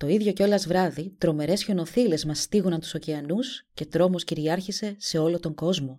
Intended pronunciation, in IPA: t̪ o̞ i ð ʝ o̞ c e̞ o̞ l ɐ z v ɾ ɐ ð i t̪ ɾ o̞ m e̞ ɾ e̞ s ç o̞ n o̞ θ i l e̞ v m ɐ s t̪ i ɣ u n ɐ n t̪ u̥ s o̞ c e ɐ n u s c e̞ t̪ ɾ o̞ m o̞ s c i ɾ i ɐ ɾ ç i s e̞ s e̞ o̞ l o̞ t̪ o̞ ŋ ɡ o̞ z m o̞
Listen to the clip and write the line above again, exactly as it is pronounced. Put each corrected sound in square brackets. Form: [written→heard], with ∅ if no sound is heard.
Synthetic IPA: t̪ o̞ i ð ʝ o̞ c e̞ o̞ l ɐ z v ɾ ɐ ð i t̪ ɾ o̞ m e̞ ɾ e̞ s ç o̞ n o̞ θ i l e̞ [v→z] m ɐ s t̪ i ɣ u n ɐ n t̪ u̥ s o̞ c e ɐ n u s c e̞ t̪ ɾ o̞ m o̞ s c i ɾ i ɐ ɾ ç i s e̞ s e̞ o̞ l o̞ t̪ o̞ ŋ ɡ o̞ z m o̞